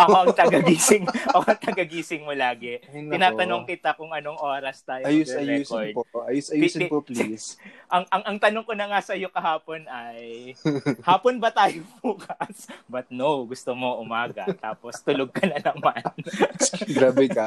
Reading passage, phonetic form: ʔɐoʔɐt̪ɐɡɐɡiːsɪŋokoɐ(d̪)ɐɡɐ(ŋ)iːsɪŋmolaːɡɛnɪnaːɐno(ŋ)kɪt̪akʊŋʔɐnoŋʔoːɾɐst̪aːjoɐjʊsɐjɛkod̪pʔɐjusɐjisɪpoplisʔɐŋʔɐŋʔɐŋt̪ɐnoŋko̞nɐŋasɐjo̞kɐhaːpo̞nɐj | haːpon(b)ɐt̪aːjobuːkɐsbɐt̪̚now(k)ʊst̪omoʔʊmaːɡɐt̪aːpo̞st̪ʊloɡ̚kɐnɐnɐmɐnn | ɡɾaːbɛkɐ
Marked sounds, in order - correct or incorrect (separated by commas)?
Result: incorrect, incorrect, correct, correct, incorrect